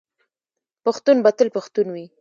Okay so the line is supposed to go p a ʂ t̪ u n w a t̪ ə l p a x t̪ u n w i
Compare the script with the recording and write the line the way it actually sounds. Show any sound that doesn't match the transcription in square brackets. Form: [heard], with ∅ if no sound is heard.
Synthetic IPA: p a [x] t̪ u n [b] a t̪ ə l p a x t̪ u n w i